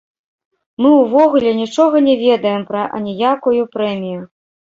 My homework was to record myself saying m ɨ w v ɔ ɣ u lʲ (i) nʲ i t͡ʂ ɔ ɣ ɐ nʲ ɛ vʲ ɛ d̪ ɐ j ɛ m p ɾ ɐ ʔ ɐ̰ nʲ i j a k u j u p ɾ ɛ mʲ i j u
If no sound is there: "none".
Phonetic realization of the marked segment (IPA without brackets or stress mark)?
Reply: ɛ